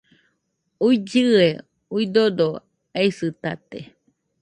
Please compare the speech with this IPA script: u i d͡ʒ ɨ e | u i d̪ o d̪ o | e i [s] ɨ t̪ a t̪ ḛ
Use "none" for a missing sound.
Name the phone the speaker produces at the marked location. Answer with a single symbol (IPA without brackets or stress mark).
s